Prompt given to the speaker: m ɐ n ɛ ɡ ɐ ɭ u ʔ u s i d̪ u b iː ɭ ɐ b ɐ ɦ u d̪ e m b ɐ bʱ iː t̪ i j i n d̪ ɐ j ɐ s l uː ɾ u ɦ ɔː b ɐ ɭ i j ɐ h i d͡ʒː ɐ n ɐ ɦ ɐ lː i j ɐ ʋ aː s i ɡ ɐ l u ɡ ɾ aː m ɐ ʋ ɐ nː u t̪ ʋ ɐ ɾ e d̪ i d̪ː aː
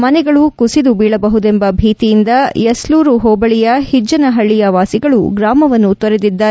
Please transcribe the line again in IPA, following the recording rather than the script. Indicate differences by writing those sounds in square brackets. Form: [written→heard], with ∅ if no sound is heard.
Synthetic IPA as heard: m ɐ n ɛ ɡ ɐ ɭ u [ʔ→k] u s i d̪ u b iː ɭ ɐ b ɐ ɦ u d̪ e m b ɐ bʱ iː t̪ i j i n d̪ ɐ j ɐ s l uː ɾ u ɦ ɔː b ɐ ɭ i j ɐ h i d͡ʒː ɐ n ɐ ɦ ɐ [lː→ɭː] i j ɐ ʋ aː s i ɡ ɐ [l→ɭ] u ɡ ɾ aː m ɐ ʋ ɐ nː u t̪ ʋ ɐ ɾ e d̪ i d̪ː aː